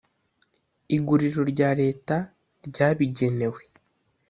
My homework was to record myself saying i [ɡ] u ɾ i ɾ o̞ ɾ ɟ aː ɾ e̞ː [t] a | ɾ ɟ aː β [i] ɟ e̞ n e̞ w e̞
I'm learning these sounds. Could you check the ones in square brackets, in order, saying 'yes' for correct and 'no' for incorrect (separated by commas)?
yes, yes, yes